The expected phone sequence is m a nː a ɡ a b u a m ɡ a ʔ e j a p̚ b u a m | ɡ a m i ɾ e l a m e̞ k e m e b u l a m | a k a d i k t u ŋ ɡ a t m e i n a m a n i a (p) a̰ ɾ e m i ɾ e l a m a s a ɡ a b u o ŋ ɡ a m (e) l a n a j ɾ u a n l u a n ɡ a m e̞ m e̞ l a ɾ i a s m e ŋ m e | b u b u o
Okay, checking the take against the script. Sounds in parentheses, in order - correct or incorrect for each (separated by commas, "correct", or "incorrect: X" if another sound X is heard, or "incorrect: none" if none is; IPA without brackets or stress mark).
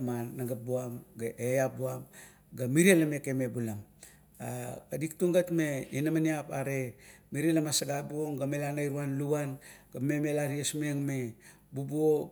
correct, correct